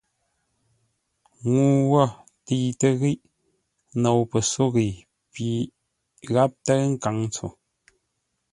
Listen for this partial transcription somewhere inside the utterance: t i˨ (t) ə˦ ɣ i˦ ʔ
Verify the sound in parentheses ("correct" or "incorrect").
correct